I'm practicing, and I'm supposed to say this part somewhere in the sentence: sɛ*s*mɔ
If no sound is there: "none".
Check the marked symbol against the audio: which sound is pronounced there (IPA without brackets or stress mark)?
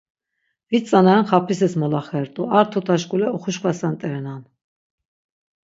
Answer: s